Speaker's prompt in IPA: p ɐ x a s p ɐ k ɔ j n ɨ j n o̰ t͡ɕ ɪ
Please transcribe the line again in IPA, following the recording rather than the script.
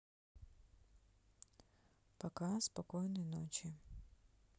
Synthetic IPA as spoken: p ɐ k a s p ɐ k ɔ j n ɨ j n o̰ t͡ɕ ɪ